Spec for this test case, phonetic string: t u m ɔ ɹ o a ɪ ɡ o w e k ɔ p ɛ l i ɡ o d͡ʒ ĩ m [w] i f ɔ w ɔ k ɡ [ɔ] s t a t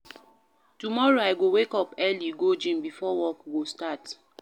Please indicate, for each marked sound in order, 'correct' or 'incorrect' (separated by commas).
incorrect, incorrect